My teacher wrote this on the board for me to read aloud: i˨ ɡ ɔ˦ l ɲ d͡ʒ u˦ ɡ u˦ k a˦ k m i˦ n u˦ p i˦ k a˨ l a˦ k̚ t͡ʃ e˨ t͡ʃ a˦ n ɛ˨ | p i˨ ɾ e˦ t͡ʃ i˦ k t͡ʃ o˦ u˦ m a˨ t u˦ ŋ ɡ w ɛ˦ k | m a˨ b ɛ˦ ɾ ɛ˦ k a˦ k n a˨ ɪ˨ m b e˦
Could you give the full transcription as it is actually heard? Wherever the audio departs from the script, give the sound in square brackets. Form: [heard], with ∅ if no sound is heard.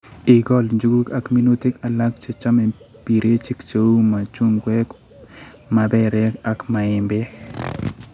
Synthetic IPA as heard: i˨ ɡ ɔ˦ l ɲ d͡ʒ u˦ ɡ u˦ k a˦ k m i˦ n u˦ [t] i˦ k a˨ l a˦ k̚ t͡ʃ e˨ t͡ʃ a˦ [m] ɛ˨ | p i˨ ɾ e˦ t͡ʃ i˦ k t͡ʃ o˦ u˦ m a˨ [t͡ʃ] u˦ ŋ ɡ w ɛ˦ k | m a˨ b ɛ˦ ɾ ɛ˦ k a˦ k [m] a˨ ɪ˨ m b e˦